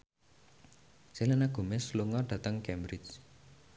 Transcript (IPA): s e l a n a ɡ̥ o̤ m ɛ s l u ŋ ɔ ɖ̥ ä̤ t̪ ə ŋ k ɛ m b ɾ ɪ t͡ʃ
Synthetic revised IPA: s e l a n a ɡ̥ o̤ m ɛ s l u ŋ ɔ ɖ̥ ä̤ t̪ ə ŋ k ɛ m b ɾ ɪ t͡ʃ